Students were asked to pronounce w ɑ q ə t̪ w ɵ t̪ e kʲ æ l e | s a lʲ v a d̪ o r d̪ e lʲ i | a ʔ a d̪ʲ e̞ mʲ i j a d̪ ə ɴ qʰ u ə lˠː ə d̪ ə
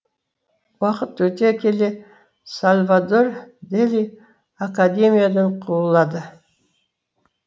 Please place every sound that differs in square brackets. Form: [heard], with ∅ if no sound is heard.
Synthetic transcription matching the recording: w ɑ q ə t̪ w ɵ t̪ e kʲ [e] l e | s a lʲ v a d̪ o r d̪ e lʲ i | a [k] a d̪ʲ e̞ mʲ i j a d̪ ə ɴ qʰ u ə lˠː [ɑ] d̪ ə